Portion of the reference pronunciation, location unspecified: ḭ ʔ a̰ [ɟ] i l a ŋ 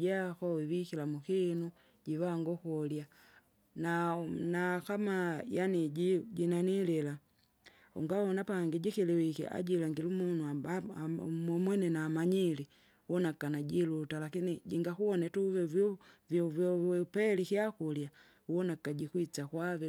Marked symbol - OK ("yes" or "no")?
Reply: yes